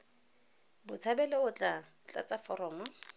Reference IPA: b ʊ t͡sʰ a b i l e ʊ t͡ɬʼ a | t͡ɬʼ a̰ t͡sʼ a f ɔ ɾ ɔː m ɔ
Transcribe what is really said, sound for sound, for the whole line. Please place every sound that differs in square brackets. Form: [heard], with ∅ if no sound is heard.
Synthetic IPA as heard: b ʊ t͡sʰ a b [ɛ] l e ʊ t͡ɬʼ a | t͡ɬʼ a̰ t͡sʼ a f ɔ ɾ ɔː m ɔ